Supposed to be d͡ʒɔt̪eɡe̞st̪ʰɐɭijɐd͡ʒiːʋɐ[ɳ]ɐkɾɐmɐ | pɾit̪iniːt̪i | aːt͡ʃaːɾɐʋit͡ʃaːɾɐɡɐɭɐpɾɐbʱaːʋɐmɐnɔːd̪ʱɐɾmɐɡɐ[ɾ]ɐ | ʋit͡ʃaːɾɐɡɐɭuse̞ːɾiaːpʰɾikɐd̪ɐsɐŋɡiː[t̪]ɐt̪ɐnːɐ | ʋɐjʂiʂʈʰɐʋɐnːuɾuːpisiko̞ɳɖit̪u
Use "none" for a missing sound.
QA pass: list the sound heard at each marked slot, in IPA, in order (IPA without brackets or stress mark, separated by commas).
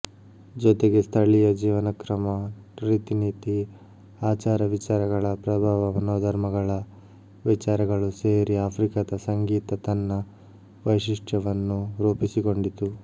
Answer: n, ɭ, t̪